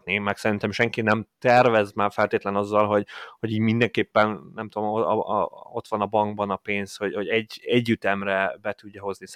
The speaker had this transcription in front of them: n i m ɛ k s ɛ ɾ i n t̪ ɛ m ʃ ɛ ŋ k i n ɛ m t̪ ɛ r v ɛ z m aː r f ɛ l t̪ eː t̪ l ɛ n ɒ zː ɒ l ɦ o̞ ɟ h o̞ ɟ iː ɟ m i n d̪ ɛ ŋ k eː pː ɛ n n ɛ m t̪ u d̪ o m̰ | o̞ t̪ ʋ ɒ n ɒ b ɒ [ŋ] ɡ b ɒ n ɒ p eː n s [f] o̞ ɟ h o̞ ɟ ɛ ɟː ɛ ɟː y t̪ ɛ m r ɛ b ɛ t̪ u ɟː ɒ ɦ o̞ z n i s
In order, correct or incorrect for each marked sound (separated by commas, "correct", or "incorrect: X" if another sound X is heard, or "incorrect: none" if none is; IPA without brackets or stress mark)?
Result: correct, incorrect: h